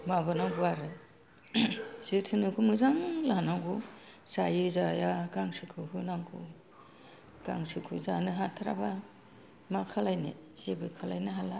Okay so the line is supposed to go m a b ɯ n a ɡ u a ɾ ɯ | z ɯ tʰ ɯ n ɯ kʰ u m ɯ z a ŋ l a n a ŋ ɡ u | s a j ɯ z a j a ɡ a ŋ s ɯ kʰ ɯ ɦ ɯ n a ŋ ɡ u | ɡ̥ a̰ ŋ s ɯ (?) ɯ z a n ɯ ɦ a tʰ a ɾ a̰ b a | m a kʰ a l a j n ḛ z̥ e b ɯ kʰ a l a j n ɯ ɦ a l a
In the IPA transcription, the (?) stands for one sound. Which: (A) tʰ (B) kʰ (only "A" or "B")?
B